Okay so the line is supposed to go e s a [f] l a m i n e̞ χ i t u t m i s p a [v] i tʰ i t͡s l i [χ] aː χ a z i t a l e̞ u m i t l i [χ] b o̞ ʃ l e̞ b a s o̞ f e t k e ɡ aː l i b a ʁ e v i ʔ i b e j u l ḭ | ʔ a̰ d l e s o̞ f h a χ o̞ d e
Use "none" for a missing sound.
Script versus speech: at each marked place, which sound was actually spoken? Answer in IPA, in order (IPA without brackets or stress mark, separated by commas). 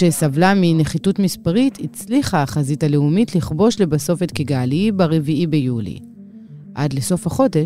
v, ʁ, χ, χ